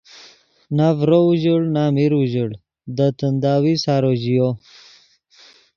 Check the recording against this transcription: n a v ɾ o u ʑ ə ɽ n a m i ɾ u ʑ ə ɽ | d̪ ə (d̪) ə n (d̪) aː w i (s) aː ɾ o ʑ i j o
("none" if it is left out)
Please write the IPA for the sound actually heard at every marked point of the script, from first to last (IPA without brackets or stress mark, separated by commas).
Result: t̪, d̪, s